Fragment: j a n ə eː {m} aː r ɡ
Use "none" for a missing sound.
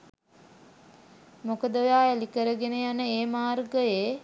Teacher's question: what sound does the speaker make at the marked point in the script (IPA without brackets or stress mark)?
m